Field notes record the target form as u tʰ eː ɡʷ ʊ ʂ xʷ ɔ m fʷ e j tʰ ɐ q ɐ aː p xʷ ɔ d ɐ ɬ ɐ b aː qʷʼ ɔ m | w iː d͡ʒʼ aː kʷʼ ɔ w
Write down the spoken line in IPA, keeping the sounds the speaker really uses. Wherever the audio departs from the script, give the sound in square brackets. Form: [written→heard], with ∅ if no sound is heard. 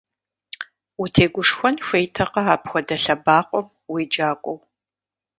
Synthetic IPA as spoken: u tʰ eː ɡʷ ʊ ʂ xʷ ɔ [m→n] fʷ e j tʰ ɐ q ɐ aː p xʷ ɔ d ɐ ɬ ɐ b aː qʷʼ ɔ m | w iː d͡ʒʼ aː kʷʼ ɔ w